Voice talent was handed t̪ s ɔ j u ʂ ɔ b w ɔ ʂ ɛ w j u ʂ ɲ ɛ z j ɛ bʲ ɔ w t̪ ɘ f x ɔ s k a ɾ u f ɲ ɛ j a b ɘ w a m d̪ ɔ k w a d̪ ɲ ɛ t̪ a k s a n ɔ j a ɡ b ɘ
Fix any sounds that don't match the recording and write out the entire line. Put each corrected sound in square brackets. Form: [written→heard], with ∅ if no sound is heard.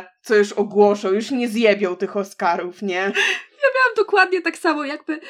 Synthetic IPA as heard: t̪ s ɔ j u ʂ ɔ [b→ɡ] w ɔ ʂ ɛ w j u ʂ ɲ ɛ z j ɛ bʲ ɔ w t̪ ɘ [f→∅] x ɔ s k a ɾ u f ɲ ɛ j a b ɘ w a m d̪ ɔ k w a d̪ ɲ ɛ t̪ a k s a [n→m] ɔ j a ɡ b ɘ